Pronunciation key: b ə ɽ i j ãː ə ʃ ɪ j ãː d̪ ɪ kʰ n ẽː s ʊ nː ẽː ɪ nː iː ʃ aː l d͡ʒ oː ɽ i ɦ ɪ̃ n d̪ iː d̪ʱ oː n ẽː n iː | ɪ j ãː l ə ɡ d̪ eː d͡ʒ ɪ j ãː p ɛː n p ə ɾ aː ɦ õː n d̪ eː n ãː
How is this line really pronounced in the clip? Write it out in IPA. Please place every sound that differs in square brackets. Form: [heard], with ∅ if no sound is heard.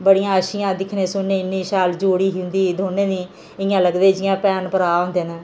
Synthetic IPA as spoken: b ə ɽ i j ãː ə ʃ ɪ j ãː d̪ ɪ kʰ n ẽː s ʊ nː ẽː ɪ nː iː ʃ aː l d͡ʒ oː ɽ [iː] ɦ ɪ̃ n d̪ iː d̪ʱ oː n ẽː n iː | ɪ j ãː l ə ɡ d̪ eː d͡ʒ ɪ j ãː p ɛː n p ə ɾ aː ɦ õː n d̪ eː n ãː